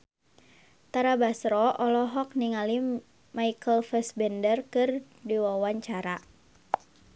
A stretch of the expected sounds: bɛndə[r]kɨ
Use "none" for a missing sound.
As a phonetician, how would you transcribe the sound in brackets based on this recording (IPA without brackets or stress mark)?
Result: r